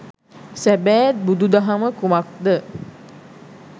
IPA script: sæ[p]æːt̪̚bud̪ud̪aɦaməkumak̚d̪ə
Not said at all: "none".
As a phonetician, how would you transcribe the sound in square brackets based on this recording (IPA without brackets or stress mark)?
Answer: b